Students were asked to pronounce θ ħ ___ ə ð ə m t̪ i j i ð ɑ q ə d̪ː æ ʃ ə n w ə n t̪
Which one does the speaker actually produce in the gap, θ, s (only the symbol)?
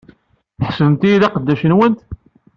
s